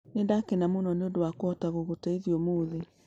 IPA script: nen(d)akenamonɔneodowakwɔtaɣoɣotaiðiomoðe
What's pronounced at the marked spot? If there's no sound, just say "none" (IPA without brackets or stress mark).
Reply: d